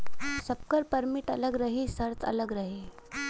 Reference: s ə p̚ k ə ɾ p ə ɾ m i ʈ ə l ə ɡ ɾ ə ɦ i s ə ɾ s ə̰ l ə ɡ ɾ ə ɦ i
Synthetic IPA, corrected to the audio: s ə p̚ k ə ɾ p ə ɾ m i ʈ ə l ə ɡ ɾ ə ɦ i s ə ɾ t͡s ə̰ l ə ɡ ɾ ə ɦ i

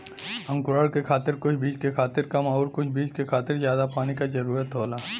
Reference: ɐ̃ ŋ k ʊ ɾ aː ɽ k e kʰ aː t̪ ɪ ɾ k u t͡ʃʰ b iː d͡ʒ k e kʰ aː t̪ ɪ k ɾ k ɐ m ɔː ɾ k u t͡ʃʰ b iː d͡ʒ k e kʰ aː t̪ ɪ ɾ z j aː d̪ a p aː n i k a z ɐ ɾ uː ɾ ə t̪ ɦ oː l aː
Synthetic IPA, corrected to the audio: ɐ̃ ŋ k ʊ ɾ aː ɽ k e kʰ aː t̪ ɪ ɾ k ʊ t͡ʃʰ b iː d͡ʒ k e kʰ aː t̪ ɪ ɾ k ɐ m ɔː ɾ k ʊ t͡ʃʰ b iː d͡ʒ k e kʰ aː t̪ ɪ ɾ z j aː d̪ a p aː n i k a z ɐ ɾ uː ɾ ə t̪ ɦ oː l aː

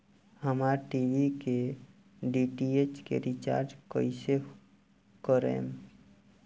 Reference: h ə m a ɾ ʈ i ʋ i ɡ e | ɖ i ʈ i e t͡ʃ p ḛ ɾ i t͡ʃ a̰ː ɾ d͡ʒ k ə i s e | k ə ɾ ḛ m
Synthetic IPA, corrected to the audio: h ə m a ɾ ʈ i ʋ i k e | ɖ i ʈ i e t͡ʃ k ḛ ɾ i t͡ʃ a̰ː ɾ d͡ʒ k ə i s e | k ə ɾ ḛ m

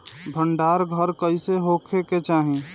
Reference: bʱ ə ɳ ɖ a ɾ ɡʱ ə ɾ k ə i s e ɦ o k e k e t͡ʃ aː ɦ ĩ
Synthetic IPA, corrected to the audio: bʱ ə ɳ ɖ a ɾ ɡʱ ə ɾ k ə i s e ɦ o kʰ e k e t͡ʃ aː ɦ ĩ

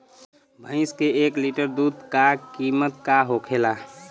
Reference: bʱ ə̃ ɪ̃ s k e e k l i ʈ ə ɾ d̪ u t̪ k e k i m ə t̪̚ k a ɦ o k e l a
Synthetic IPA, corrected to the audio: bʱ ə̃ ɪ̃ s k e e k l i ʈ ə ɾ d̪ u d̪ k a k i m ə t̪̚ k a ɦ o kʰ e l a

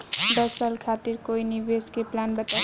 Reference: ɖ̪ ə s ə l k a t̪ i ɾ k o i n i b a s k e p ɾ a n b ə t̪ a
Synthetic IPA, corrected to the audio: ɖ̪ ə s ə l kʰ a t̪ i ɾ k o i n i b e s k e p l a n b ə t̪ a

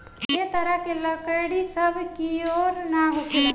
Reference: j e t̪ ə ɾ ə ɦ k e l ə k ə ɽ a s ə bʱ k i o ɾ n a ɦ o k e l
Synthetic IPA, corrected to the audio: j e t̪ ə ɾ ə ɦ k e l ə k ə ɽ i s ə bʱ k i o ɾ n a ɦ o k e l

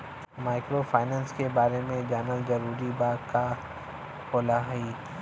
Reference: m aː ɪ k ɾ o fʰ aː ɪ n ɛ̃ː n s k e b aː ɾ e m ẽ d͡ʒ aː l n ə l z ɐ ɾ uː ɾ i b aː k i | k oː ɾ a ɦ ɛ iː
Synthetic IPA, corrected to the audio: m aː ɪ k ɾ o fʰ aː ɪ n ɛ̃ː n s k e b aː ɾ e m ẽ d͡ʒ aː n ə l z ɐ ɾ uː ɾ i b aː k a | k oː l a ɦ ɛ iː

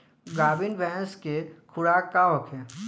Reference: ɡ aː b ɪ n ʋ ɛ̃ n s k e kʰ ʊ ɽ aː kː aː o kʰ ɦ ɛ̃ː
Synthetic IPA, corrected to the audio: ɡ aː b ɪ n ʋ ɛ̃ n s k e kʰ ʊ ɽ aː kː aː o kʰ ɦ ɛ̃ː

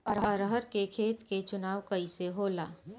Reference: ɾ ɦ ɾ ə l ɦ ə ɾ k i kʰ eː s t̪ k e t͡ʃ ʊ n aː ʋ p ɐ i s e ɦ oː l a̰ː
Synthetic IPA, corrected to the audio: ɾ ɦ ɾ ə ɦ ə ɾ k e kʰ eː t̪ k e t͡ʃ ʊ n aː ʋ k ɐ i s e ɦ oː l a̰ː

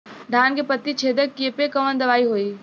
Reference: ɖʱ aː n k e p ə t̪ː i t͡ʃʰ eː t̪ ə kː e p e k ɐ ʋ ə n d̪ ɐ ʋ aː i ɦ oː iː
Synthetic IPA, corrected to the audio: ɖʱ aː n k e p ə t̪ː i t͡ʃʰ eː d̪ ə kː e p e k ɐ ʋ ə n d̪ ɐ ʋ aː i ɦ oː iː

